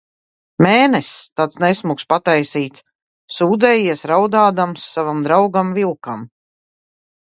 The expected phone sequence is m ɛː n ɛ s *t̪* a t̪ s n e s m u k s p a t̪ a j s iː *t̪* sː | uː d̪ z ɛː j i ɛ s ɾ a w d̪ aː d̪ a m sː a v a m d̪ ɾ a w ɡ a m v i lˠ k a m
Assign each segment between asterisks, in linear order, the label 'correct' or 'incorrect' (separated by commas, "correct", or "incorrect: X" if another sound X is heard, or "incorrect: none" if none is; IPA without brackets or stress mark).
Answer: correct, correct